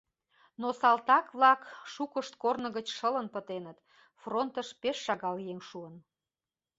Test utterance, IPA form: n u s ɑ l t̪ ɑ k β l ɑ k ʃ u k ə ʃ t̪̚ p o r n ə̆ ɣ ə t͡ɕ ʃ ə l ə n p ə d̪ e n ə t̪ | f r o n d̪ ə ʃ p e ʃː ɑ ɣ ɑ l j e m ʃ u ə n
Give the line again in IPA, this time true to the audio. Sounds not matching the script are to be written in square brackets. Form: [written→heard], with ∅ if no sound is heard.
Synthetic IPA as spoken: n [u→o] s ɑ l t̪ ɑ k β l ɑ k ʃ u k ə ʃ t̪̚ [p→k] o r n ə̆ ɣ ə t͡ɕ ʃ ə l ə n p ə [d̪→t̪] e n ə t̪ | f r o n [d̪→t̪] ə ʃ p e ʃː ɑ ɣ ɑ l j e [m→ŋ] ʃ u ə n